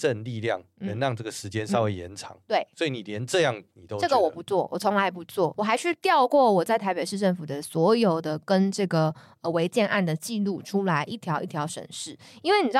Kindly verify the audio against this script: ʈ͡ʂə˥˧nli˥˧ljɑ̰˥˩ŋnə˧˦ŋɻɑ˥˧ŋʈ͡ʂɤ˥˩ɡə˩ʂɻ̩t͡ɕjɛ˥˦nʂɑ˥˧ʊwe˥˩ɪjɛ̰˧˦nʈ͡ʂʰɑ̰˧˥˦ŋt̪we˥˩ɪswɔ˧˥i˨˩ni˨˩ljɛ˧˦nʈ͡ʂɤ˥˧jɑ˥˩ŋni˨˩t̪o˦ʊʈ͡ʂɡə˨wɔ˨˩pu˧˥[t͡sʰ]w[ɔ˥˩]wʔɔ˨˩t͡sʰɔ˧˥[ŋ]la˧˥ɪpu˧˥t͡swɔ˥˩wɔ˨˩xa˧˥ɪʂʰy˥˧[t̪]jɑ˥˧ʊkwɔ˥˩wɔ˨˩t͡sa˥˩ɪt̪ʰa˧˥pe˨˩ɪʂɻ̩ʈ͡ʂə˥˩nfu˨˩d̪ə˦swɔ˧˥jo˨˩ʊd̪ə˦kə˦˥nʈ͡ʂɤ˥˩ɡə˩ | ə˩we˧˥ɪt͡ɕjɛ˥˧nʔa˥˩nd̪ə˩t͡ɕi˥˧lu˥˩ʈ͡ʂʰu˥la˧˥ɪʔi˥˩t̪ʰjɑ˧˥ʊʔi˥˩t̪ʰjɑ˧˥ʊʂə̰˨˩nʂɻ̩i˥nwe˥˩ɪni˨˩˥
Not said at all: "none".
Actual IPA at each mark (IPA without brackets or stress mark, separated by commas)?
t͡s, ɔ˥˩, ŋ, t̪